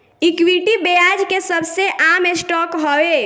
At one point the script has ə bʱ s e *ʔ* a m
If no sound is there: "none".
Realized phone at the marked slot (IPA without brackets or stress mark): ʔ